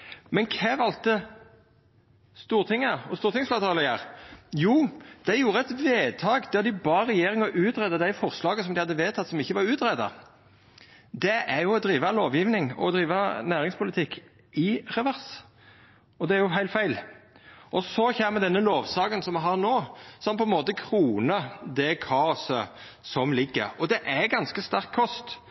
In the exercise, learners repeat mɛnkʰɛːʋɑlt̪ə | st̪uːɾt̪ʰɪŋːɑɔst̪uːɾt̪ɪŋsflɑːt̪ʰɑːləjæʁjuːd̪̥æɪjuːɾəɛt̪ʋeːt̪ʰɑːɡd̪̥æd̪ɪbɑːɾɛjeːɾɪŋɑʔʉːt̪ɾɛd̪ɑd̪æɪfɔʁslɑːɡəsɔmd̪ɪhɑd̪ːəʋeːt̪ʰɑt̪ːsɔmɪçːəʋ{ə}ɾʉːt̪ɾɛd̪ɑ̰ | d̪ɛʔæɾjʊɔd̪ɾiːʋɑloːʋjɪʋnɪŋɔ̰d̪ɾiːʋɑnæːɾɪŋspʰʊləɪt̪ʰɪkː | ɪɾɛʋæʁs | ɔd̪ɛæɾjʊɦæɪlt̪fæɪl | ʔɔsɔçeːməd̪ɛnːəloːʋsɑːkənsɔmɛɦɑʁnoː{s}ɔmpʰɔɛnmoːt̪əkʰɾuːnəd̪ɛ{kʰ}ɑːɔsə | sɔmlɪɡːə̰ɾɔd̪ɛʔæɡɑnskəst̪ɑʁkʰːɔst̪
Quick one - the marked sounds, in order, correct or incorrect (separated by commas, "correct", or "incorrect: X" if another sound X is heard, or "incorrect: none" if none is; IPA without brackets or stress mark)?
incorrect: ɑ, correct, correct